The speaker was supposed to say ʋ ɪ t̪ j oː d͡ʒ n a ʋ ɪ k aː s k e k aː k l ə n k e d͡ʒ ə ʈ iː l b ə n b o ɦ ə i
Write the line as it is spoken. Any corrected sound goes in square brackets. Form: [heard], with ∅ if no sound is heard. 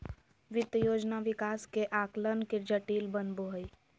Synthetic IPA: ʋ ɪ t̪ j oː d͡ʒ n a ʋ ɪ k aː s k e [ʔ] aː k l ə n k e d͡ʒ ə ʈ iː l b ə n b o ɦ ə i

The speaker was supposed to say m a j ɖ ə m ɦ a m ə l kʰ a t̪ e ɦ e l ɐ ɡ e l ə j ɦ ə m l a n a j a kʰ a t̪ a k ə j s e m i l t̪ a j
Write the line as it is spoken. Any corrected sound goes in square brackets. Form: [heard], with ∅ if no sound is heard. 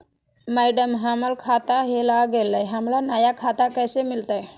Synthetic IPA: m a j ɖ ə m ɦ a m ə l kʰ a t̪ [a] ɦ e l [a] ɡ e l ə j ɦ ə m l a n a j a kʰ a t̪ a k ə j s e m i l t̪ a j

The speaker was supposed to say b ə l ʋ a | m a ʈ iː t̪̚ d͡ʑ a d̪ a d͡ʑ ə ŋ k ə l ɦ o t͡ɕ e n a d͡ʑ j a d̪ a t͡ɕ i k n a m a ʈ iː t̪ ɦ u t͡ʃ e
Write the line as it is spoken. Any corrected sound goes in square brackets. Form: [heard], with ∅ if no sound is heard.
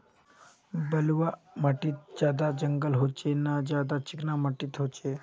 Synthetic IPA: b ə l ʋ a | m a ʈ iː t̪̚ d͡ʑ a d̪ a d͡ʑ ə ŋ [ɡ] ə l ɦ o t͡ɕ e n a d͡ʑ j a d̪ a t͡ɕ i k n a m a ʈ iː t̪ ɦ [o] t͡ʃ e

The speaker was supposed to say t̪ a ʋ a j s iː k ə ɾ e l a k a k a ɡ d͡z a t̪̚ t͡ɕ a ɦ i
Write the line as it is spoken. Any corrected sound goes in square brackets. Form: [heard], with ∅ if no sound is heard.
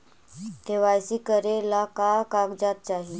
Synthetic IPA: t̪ [e] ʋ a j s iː k ə ɾ e l a k a k a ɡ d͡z a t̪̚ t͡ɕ a ɦ i

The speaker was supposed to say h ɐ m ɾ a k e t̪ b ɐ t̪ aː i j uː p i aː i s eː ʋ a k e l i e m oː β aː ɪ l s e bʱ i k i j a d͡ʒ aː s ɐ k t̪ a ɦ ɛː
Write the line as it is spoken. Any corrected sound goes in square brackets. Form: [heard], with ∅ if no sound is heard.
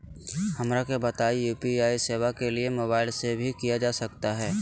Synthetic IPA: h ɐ m ɾ a k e [∅] b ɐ t̪ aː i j uː p i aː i s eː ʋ a k e l i e m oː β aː ɪ l s e bʱ i k i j a d͡ʒ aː s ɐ k t̪ a ɦ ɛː

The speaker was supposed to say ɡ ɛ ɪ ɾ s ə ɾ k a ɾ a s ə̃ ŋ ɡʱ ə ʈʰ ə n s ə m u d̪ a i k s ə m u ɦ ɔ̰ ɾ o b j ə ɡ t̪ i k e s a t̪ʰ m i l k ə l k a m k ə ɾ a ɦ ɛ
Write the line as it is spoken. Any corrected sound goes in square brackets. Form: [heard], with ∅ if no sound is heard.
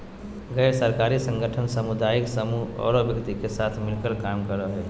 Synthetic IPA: ɡ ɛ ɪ ɾ s ə ɾ k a ɾ [i] s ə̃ ŋ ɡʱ ə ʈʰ ə n s ə m u d̪ a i k s ə m u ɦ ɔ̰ ɾ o b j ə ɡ t̪ i k e s a t̪ʰ m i l k ə l k a m k ə ɾ [ə] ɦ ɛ

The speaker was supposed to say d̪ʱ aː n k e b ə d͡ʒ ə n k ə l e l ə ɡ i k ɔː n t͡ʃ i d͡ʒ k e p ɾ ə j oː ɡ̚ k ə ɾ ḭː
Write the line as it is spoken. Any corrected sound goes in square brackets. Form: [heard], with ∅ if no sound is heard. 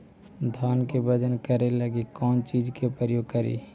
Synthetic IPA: d̪ʱ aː n k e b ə d͡ʒ ə n k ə [ɾ] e l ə ɡ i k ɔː n t͡ʃ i d͡ʒ k e p ɾ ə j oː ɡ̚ k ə ɾ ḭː

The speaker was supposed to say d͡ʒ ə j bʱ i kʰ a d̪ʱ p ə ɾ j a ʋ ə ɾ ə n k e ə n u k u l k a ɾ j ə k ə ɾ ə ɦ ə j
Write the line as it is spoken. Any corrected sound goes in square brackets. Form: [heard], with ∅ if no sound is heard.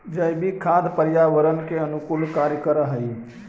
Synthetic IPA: d͡ʒ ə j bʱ i kʰ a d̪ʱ p ə ɾ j a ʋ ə ɾ ə n k e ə n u k u l k a ɾ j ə k ə ɾ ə ɦ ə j

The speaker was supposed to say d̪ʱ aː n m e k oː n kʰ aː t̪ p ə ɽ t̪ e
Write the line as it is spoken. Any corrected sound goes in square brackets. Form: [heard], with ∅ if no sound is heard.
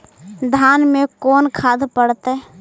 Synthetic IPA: d̪ʱ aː n m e k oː n kʰ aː [d̪] p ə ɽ t̪ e

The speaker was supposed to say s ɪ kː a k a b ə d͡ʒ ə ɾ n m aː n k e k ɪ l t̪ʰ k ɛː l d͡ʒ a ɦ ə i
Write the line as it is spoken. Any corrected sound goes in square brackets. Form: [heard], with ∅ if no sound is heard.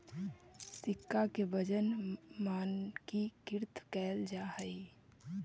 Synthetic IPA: s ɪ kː a k [e] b ə d͡ʒ ə [∅] n m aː n k [i] k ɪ [ɾ] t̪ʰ k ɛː l d͡ʒ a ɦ ə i

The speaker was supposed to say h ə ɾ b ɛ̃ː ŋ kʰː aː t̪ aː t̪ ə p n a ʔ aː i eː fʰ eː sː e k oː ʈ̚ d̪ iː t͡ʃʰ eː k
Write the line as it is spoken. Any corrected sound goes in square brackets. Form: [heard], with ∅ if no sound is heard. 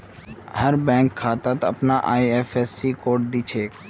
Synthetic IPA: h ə ɾ b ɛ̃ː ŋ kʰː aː t̪ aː t̪ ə p n a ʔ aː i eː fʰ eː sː [i] k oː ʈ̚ d̪ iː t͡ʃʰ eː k

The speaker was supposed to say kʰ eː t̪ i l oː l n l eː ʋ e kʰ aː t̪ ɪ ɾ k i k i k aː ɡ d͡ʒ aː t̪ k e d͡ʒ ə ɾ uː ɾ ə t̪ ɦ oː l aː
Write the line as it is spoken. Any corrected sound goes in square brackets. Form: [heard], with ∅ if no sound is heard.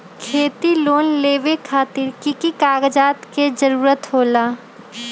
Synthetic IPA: kʰ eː t̪ i l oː [∅] n l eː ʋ e kʰ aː t̪ ɪ ɾ k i k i k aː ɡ d͡ʒ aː t̪ k e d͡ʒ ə ɾ uː ɾ ə t̪ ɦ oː l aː

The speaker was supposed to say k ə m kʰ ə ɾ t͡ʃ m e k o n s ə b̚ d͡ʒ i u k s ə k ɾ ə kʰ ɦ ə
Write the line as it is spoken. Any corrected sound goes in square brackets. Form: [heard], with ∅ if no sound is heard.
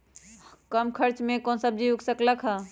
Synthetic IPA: k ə m kʰ ə ɾ t͡ʃ m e k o n s ə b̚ d͡ʒ i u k s ə k [l] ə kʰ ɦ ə

